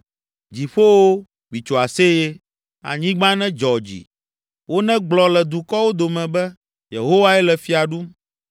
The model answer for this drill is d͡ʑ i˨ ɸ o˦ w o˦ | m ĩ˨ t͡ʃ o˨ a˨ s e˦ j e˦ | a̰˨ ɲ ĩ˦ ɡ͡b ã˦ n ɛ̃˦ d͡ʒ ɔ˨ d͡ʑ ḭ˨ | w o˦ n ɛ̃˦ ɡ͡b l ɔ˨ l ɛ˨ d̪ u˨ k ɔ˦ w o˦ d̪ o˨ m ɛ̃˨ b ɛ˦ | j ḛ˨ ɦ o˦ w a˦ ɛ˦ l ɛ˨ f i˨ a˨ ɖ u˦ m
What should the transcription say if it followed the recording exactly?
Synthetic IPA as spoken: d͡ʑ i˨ ɸ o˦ w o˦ | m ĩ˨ t͡ʃ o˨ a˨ s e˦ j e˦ | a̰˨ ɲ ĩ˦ ɡ͡b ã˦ n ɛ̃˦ d͡ʒ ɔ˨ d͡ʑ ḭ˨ | w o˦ n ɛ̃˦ ɡ͡b l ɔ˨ l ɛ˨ d̪ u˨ k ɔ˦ w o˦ d̪ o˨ m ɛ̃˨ b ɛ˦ | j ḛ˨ ɦ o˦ w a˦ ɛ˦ l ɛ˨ f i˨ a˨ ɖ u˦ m